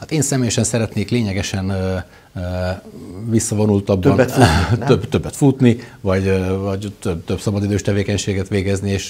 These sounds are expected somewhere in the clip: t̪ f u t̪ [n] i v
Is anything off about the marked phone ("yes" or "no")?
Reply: no